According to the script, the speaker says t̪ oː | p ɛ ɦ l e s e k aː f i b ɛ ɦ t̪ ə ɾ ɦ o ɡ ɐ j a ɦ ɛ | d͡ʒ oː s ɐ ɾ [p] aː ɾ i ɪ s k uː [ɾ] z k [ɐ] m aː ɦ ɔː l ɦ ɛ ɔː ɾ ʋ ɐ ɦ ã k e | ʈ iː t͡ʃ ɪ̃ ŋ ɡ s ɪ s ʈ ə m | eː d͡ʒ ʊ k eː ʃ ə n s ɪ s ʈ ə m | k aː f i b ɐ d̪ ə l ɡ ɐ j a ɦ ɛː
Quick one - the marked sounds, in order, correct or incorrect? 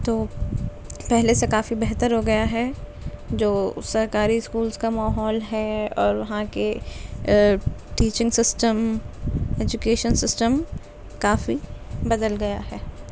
incorrect: k, incorrect: l, incorrect: a

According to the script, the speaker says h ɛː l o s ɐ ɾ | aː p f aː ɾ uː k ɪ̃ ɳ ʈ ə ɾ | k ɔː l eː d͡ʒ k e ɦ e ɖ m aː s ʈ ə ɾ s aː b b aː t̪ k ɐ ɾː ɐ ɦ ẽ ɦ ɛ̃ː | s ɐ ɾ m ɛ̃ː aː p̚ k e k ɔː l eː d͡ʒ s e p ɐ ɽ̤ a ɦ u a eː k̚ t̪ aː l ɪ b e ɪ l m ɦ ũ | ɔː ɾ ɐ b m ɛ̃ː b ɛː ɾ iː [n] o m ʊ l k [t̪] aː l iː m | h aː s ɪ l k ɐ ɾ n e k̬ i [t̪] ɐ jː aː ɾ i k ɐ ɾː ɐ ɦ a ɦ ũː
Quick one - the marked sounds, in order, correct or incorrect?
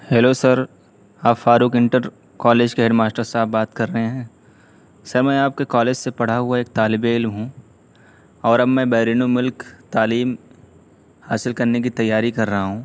correct, correct, correct

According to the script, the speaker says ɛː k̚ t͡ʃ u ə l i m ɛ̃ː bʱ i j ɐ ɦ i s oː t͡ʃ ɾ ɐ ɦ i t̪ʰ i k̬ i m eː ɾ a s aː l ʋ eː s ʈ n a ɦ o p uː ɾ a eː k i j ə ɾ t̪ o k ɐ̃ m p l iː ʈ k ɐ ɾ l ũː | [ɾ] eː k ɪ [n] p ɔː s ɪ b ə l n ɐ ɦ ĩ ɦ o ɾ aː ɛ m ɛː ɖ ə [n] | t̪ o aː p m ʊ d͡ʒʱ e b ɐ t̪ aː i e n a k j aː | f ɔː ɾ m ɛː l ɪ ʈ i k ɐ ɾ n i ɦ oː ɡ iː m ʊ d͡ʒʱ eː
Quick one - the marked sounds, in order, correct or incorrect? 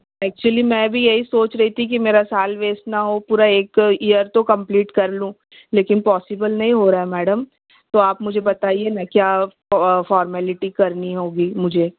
incorrect: l, correct, incorrect: m

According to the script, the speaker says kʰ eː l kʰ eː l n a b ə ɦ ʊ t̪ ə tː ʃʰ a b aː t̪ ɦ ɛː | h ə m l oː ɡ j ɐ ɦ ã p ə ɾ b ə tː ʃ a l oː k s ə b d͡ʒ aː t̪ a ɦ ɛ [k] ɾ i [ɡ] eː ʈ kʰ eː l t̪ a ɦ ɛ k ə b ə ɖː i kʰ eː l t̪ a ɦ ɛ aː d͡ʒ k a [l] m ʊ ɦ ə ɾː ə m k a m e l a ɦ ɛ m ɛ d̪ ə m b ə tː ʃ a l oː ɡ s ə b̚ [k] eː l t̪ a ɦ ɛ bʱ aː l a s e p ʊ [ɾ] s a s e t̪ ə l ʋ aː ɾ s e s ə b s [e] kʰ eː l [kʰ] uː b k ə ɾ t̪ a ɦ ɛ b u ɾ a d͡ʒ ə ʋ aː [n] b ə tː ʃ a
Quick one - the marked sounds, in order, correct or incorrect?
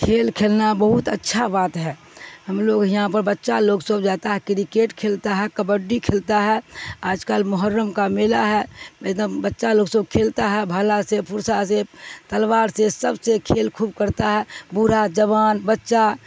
correct, incorrect: k, correct, incorrect: kʰ, correct, correct, correct, correct

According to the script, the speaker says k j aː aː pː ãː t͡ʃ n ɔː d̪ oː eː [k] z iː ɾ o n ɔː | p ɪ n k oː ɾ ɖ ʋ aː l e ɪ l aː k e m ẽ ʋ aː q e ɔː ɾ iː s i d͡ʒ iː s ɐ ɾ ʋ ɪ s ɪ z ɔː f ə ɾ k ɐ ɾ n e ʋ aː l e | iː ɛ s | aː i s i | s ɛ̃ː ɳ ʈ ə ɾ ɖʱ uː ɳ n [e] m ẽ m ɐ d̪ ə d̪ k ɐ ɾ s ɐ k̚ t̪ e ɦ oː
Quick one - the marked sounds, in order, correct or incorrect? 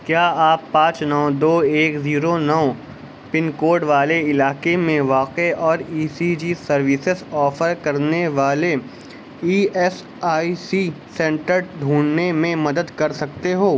correct, correct

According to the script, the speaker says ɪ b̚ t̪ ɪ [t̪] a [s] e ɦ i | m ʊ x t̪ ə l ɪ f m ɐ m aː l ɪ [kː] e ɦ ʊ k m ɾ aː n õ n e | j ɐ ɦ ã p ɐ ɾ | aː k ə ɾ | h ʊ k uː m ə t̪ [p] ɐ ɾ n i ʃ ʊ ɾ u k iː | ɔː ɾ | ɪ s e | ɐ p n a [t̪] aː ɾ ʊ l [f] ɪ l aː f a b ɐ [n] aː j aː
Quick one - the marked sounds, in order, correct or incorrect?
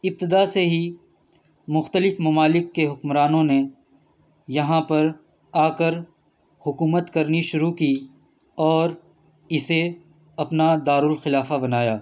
incorrect: d̪, correct, correct, incorrect: k, incorrect: d̪, incorrect: x, correct

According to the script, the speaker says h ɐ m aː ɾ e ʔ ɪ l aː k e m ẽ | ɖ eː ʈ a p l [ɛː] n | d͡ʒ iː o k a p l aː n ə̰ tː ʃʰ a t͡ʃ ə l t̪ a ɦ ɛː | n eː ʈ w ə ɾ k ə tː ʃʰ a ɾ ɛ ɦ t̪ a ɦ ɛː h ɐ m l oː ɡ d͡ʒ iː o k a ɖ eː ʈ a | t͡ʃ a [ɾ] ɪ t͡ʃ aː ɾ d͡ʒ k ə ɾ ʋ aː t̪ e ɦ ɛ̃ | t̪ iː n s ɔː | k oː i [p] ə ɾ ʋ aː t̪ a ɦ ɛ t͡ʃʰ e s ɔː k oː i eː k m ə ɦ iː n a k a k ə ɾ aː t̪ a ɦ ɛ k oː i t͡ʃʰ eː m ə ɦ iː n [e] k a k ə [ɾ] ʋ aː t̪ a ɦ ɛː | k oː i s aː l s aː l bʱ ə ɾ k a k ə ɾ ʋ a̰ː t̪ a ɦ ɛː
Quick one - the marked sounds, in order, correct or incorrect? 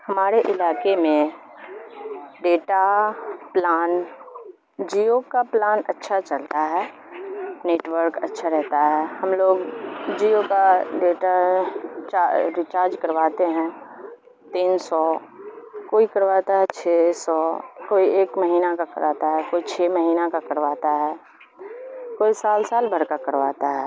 incorrect: aː, correct, incorrect: k, incorrect: a, correct

